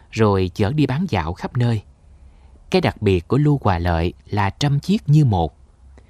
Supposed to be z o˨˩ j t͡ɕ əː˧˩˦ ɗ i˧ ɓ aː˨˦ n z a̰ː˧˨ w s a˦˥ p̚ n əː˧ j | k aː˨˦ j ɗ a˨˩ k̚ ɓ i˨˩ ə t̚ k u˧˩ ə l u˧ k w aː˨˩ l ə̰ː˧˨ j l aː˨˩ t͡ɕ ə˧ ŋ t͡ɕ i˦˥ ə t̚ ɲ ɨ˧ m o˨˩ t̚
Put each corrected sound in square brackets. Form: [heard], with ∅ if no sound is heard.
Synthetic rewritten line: z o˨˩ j t͡ɕ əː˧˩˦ ɗ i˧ ɓ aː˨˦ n z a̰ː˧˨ w [x] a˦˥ p̚ n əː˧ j | k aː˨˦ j ɗ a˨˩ k̚ ɓ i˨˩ ə t̚ k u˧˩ ə l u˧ k w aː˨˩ l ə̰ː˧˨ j l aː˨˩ t͡ɕ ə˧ [m] t͡ɕ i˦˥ ə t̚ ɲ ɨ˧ m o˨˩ t̚